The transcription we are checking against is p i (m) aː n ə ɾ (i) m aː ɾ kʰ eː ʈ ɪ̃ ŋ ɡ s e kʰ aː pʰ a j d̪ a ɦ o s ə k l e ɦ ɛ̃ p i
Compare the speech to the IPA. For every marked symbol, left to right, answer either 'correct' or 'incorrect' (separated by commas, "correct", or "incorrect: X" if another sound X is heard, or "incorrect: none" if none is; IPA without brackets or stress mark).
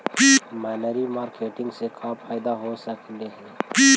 correct, correct